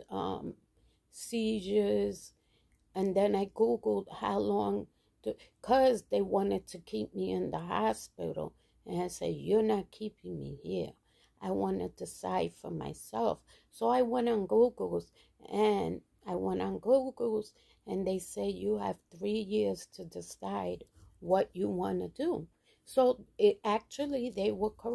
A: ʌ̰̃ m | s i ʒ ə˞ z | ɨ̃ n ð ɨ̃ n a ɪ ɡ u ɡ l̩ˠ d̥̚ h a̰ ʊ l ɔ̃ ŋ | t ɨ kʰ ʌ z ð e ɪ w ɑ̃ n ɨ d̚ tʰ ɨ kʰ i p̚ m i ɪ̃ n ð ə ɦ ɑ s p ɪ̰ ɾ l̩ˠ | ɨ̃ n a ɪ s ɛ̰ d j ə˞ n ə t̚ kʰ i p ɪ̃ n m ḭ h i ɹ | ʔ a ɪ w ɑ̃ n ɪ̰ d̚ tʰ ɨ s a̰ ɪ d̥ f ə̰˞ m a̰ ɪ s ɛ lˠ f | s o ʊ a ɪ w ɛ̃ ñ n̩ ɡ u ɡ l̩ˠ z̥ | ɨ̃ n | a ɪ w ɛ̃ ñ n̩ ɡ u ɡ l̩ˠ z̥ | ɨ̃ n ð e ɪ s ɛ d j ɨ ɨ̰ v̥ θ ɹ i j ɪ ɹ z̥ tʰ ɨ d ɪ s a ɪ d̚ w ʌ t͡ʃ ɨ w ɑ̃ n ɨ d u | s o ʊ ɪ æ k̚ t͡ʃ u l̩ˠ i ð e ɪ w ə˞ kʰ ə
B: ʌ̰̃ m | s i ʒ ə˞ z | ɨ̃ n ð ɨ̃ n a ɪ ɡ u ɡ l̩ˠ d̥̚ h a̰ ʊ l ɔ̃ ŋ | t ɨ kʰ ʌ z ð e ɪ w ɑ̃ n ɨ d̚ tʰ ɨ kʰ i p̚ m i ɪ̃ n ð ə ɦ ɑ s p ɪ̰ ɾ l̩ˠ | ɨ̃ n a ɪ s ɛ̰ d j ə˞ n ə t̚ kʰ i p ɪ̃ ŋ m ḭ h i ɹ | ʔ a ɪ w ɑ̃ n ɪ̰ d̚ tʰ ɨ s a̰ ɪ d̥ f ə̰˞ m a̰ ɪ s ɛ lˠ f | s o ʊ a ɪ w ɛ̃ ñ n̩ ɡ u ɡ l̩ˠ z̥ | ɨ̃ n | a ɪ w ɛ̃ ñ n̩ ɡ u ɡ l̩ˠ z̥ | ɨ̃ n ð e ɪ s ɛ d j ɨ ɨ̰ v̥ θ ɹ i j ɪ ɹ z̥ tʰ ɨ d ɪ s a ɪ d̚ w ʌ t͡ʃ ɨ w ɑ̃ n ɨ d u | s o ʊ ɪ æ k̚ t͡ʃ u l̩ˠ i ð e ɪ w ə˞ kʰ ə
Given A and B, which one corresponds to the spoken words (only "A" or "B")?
B